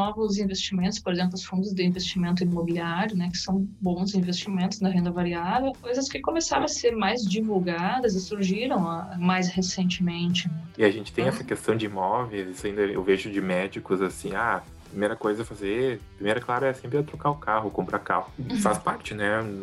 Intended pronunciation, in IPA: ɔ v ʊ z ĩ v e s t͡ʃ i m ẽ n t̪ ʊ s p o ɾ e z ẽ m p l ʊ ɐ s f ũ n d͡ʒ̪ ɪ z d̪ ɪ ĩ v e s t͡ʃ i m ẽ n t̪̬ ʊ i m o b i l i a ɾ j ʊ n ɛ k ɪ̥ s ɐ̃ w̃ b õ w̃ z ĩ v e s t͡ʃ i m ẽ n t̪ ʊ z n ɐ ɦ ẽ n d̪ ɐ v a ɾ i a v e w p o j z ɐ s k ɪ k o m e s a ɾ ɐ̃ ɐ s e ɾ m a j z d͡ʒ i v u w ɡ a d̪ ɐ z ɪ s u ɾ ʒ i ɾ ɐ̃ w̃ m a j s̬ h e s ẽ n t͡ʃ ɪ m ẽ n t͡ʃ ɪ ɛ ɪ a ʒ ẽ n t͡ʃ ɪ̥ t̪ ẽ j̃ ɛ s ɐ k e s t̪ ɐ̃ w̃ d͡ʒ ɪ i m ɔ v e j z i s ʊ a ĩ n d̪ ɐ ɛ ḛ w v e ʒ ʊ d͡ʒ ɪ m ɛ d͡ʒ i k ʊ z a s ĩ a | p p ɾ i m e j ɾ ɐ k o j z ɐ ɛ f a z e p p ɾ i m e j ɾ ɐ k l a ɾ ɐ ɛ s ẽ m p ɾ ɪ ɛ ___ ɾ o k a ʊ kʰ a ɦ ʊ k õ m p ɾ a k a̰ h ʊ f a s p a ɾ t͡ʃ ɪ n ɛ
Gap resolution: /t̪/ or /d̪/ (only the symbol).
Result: t̪